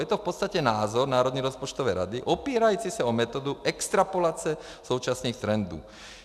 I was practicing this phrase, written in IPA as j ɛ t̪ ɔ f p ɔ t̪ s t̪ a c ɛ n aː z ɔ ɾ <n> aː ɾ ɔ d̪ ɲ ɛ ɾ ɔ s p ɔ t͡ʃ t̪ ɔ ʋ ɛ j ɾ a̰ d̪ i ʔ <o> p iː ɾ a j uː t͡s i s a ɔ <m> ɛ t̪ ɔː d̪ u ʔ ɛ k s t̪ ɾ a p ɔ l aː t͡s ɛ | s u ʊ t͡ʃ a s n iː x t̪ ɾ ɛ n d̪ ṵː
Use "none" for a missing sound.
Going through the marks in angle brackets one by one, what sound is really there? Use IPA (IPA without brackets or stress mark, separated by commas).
n, ɔ, m